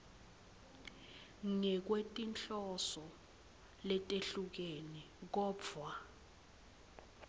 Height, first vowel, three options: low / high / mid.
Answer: mid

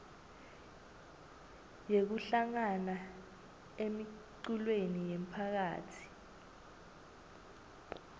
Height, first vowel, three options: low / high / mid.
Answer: mid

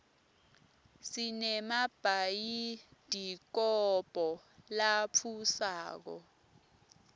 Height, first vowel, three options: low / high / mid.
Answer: high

